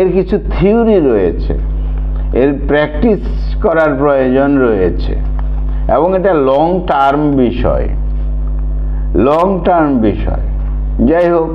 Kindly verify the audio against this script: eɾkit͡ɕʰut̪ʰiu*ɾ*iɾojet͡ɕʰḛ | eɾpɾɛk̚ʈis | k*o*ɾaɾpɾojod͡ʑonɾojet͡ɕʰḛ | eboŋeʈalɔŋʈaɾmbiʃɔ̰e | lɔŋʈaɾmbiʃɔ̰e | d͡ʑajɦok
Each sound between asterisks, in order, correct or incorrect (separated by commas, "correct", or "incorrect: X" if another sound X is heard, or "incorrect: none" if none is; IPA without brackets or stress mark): correct, incorrect: ɔ